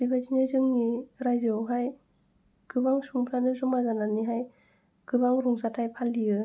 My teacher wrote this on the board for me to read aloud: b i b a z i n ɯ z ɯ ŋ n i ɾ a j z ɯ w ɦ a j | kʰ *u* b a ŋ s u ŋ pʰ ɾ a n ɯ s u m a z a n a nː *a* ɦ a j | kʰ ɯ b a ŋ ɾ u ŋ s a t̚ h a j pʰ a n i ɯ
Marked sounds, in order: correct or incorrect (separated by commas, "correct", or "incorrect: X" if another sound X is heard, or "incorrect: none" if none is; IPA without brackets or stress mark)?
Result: incorrect: ɯ, incorrect: i